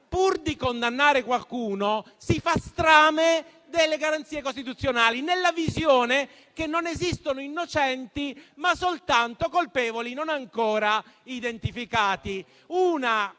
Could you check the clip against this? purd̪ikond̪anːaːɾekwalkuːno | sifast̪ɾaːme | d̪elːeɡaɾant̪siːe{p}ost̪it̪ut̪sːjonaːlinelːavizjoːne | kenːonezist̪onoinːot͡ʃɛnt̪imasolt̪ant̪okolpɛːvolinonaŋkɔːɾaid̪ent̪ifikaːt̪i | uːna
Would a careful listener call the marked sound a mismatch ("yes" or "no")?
yes